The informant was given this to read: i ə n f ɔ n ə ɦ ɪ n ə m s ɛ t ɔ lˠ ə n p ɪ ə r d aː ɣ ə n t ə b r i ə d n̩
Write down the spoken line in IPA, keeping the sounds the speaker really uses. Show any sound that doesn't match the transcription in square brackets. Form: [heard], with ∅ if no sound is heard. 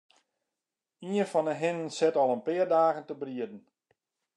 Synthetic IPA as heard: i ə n f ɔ n ə ɦ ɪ n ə [n] s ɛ t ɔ lˠ ə n p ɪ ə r d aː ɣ ə n t ə b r i ə d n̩